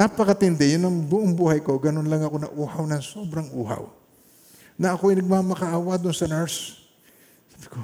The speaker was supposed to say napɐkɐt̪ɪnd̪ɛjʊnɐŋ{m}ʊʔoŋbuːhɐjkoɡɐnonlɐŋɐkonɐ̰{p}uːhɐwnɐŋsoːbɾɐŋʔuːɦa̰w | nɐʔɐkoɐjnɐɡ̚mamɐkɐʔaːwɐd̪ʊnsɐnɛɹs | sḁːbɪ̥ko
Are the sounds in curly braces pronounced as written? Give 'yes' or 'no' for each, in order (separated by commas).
no, no